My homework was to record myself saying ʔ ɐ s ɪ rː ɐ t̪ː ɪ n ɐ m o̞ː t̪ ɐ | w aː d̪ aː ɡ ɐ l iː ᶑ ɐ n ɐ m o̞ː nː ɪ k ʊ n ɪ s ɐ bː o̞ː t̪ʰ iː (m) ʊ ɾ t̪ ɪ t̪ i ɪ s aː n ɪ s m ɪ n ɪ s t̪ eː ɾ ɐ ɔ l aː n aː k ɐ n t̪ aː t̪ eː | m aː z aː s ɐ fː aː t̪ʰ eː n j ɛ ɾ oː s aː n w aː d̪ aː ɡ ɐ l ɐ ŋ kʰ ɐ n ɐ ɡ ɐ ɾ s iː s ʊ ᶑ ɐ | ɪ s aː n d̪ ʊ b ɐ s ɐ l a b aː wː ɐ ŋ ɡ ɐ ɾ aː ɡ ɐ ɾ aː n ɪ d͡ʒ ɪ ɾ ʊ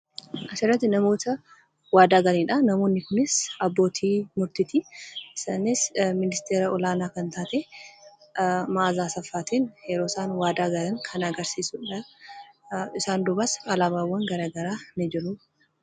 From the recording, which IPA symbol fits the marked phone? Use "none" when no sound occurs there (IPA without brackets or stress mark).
m